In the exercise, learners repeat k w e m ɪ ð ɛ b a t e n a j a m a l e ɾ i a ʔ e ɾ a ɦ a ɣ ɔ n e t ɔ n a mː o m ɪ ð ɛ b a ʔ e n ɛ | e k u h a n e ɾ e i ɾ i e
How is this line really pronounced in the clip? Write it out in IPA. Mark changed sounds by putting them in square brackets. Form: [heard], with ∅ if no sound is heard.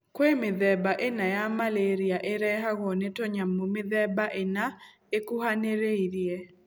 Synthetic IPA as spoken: k w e m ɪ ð ɛ b a [ʔ] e n a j a m a l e ɾ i a ʔ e ɾ [ɛ] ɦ a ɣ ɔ n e t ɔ [ɲ] a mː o m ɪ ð ɛ b a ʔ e n [a] | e k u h a n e ɾ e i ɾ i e